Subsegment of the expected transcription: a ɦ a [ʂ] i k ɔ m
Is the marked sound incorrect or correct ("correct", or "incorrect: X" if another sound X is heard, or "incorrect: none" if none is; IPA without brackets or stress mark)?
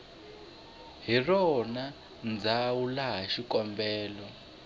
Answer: incorrect: ʃ